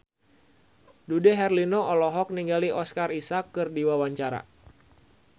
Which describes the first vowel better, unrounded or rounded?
rounded